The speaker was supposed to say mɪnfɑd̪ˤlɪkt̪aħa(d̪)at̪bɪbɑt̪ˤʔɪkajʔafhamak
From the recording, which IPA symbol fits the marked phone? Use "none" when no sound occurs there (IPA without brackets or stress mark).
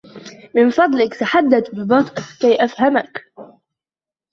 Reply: d̪ː